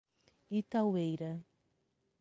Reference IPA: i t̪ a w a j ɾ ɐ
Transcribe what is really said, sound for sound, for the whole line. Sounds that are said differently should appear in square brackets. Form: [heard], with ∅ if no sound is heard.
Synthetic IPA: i t̪ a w [e] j ɾ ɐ